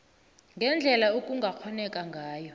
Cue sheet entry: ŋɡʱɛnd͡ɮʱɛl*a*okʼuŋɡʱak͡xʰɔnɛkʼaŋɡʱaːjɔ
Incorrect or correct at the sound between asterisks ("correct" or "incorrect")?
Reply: correct